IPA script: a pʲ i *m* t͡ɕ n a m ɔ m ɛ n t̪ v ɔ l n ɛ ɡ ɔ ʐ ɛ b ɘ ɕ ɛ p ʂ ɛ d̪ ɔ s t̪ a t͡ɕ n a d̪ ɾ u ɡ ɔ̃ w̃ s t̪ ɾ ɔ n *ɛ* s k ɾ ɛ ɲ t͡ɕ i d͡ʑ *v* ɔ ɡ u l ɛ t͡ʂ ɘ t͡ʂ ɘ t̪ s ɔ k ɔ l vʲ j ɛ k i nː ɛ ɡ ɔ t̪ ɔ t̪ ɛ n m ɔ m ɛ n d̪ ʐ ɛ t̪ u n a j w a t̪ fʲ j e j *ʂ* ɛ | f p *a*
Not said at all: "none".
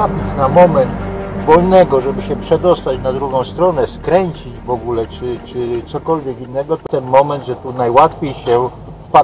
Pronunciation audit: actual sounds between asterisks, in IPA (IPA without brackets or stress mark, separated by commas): none, ɛ, v, ɕ, a